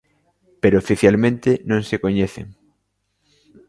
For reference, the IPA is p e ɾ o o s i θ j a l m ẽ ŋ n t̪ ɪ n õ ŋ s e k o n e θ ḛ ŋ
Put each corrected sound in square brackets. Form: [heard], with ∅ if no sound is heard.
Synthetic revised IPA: p e ɾ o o [f] i θ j a l m ẽ [∅] n t̪ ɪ n õ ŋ s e k o [ɲ] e θ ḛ ŋ